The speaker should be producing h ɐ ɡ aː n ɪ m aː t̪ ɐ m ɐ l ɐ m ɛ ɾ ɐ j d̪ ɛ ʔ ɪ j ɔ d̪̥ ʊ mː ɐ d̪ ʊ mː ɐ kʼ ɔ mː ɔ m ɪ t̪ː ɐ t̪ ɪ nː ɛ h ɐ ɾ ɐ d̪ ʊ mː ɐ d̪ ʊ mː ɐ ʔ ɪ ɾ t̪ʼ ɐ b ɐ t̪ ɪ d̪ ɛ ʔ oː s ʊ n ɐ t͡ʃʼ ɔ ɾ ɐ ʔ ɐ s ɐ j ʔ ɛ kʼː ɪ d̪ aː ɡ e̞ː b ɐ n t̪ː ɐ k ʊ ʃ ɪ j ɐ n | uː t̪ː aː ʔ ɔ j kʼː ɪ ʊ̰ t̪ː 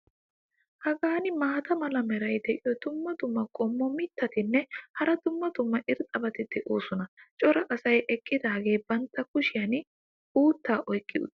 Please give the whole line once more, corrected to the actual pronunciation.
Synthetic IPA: h ɐ ɡ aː n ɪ m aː t̪ ɐ m ɐ l ɐ m ɛ ɾ ɐ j d̪ ɛ ʔ ɪ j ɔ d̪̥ ʊ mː ɐ d̪ ʊ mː ɐ kʼ ɔ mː ɔ m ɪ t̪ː ɐ t̪ ɪ nː ɛ h ɐ ɾ ɐ d̪ ʊ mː ɐ d̪ ʊ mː ɐ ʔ ɪ ɾ t̪ʼ ɐ b ɐ t̪ ɪ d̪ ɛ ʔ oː s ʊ n ɐ t͡ʃʼ ɔ ɾ ɐ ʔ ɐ s ɐ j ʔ ɛ kʼː ɪ d̪ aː ɡ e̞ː b ɐ n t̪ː ɐ k ʊ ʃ ɪ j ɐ n | uː t̪ː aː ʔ ɔ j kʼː ɪ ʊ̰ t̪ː